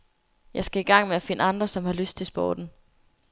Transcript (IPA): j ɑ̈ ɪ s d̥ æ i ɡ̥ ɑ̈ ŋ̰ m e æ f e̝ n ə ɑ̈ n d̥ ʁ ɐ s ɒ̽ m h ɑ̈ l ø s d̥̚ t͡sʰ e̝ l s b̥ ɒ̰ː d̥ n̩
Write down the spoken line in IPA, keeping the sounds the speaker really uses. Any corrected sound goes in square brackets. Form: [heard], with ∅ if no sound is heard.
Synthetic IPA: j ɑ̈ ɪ s [ɡ̥] æ i ɡ̥ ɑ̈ ŋ̰ m e æ f e̝ n ə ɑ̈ n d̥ ʁ ɐ s ɒ̽ m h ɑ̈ l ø s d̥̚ t͡sʰ e̝ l s b̥ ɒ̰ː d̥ n̩